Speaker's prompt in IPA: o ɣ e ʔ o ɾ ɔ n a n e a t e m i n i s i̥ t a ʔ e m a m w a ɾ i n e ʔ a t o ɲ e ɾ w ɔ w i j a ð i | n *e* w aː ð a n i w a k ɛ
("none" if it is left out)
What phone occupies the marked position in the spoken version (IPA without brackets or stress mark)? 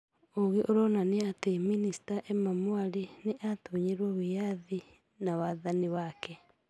a